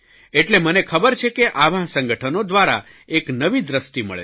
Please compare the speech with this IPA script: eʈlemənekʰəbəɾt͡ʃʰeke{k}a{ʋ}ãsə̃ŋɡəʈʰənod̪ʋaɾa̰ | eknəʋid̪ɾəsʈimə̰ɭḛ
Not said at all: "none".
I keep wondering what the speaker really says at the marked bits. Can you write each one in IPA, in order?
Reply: ʔ, ʋ

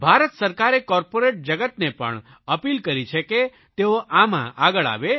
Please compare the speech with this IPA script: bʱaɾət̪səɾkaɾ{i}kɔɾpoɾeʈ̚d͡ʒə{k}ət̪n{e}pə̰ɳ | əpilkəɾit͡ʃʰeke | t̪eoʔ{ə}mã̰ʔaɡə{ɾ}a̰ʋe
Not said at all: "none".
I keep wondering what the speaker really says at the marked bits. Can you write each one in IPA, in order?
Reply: e, ɡ, e, a, ɭ

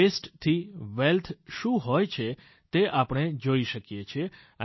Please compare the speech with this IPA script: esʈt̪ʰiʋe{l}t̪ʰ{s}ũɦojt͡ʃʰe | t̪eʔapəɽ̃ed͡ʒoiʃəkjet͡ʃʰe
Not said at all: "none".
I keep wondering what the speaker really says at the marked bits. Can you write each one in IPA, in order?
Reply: l, ʃ

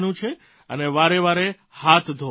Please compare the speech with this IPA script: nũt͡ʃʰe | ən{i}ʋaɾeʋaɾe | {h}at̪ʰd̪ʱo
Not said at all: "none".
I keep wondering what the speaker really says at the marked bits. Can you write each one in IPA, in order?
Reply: e, h

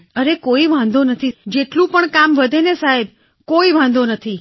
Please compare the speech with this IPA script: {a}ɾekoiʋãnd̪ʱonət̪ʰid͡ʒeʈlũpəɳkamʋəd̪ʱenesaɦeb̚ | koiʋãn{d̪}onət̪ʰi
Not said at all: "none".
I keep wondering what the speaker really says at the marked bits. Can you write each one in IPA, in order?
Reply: ə, d̪

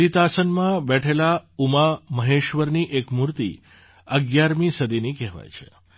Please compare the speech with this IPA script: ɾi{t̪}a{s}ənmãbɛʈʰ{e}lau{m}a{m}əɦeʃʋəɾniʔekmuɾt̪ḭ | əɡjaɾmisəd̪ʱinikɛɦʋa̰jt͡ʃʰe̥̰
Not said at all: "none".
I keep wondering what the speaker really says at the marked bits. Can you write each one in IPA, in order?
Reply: t̪, s, e, m, m

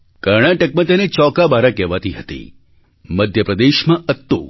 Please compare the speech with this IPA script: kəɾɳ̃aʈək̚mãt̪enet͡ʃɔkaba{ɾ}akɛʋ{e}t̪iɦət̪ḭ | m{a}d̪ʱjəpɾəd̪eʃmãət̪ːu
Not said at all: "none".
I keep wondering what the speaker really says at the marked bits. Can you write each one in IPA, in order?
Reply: ɾ, a, ə

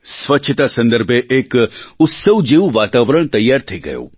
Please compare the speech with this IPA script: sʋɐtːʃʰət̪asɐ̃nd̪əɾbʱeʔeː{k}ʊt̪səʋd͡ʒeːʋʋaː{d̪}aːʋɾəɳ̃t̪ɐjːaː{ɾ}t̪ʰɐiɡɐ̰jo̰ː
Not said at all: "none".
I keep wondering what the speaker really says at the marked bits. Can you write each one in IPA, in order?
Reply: k, t̪, ɾ

